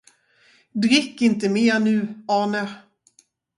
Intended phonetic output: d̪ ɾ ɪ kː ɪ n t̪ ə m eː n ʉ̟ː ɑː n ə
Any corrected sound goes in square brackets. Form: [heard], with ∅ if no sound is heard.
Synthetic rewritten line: d̪ ɾ ɪ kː ɪ n t̪ ə m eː n ʉ̟ː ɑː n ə